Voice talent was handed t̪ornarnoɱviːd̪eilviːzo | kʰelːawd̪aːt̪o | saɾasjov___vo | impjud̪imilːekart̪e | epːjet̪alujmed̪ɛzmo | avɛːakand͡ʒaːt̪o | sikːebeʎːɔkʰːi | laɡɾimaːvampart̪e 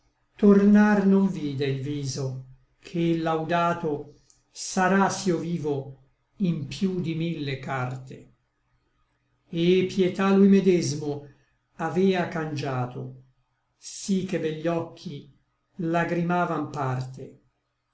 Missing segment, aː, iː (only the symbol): iː